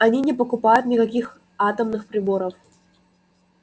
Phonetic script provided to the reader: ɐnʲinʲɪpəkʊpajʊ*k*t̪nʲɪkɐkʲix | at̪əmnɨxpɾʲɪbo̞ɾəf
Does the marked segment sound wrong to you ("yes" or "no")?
yes